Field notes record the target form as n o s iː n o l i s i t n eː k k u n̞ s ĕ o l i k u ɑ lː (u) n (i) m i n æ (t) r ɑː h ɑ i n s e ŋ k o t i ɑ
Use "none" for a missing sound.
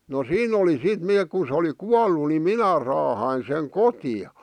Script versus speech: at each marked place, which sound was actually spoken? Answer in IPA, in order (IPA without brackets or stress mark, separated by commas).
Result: u, i, none